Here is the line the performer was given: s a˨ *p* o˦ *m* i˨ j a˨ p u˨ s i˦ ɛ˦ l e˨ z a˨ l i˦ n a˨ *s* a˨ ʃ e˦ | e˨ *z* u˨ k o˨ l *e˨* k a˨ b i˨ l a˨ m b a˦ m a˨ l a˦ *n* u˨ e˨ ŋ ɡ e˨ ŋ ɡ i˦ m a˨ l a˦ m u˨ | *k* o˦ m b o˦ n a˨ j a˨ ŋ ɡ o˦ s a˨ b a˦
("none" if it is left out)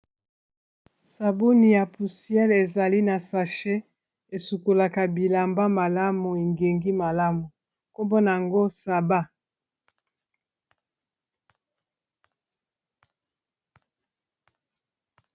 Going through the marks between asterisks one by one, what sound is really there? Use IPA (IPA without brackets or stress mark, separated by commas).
b, n, s, s, a˨, m, k